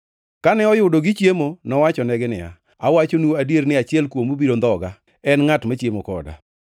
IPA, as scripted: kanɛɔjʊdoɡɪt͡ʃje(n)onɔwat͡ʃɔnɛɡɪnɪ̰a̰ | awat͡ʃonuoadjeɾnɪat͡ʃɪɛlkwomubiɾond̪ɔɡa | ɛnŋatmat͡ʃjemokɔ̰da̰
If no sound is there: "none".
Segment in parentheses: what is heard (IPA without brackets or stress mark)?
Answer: m